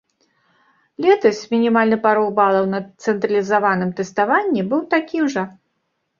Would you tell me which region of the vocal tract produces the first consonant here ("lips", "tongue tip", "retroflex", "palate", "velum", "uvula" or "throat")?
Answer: tongue tip